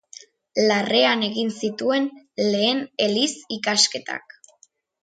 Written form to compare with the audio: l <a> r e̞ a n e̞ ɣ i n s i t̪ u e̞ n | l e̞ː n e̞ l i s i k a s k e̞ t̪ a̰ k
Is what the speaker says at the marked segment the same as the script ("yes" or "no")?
yes